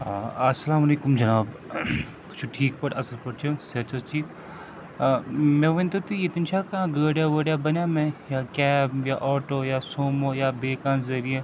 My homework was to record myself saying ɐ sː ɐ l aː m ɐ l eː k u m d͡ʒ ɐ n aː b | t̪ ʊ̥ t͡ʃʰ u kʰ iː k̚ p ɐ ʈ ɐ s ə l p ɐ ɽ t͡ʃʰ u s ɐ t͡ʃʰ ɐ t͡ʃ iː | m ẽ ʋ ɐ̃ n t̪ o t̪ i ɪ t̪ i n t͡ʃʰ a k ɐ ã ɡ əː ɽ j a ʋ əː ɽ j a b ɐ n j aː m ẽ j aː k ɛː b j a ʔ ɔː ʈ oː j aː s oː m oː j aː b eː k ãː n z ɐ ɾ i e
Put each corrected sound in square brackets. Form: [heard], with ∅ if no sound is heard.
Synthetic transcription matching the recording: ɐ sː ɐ l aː m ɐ l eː k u m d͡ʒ ɐ n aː b | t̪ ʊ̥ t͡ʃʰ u [ʈʰ] iː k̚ p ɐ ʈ ɐ s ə l p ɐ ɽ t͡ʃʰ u s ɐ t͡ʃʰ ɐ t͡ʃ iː | m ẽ ʋ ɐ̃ n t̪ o t̪ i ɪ t̪ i n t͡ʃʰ a k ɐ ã ɡ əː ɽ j a ʋ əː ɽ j a b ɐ n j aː m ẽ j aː k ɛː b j a ʔ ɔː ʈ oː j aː s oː m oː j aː b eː k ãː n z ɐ ɾ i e

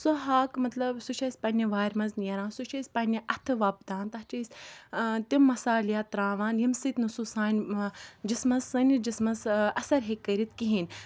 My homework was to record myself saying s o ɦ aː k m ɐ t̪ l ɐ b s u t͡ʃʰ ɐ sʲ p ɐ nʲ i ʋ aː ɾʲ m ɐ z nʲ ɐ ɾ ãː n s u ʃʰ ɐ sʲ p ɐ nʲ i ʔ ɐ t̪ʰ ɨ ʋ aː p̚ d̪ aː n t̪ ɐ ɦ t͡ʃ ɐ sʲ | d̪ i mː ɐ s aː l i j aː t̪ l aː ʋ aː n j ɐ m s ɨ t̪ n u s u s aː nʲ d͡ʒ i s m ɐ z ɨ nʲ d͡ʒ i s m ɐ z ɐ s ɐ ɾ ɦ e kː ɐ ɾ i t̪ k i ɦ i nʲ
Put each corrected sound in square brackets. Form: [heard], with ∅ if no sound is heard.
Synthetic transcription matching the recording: s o ɦ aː k m ɐ t̪ l ɐ b s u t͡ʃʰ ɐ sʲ p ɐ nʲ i ʋ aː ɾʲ m ɐ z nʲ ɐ ɾ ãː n s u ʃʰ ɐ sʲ p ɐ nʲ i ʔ ɐ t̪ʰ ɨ ʋ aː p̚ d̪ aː n t̪ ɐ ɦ t͡ʃ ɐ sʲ | [t̪] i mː ɐ s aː l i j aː t̪ [ɾ] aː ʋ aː n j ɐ m s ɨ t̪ n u s u s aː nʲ d͡ʒ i s m ɐ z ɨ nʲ d͡ʒ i s m ɐ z ɐ s ɐ ɾ ɦ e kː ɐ ɾ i t̪ k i ɦ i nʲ

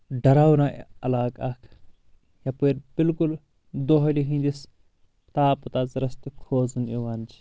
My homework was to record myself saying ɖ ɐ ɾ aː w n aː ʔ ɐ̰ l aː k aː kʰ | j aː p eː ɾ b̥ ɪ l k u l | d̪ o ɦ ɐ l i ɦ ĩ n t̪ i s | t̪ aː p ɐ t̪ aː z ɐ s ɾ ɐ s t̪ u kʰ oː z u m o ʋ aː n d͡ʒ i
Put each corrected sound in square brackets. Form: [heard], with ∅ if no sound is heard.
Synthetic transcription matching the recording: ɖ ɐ ɾ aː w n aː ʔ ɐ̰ l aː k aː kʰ | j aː p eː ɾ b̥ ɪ l k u l | d̪ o ɦ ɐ l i ɦ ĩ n [d̪] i s | t̪ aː p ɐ t̪ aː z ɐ [∅] ɾ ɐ s t̪ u kʰ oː z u [n] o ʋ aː n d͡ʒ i

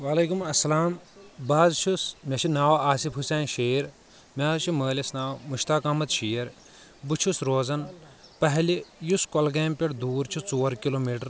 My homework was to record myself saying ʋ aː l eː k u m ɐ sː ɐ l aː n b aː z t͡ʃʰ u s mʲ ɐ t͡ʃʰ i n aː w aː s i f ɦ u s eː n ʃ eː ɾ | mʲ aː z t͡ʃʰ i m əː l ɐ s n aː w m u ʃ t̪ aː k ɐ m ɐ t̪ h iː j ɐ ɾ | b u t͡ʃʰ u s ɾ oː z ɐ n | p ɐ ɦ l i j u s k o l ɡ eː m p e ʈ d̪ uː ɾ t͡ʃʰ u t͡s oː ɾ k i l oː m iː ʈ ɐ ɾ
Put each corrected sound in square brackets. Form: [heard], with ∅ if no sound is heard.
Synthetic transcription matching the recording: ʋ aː l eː k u m ɐ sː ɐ l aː [m] b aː z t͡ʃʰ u s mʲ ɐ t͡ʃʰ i n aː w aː s i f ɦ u s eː n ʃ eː ɾ | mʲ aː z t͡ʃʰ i m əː l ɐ s n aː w m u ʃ t̪ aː k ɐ m ɐ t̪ [ʃ] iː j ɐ ɾ | b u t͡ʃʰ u s ɾ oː z ɐ n | p ɐ ɦ l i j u s k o l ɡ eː m p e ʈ d̪ uː ɾ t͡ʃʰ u t͡s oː ɾ k i l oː m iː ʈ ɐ ɾ

